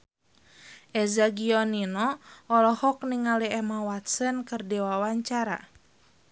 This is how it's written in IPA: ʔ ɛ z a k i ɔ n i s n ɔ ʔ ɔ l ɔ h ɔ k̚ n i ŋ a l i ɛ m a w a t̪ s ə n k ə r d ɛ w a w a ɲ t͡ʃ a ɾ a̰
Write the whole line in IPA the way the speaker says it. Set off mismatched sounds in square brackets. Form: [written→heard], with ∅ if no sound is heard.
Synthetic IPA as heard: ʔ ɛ z a [k→ɡ] i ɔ n i [s→∅] n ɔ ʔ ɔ l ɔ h ɔ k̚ n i ŋ a l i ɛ m a w a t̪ s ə n k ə r d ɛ w a w a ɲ t͡ʃ a ɾ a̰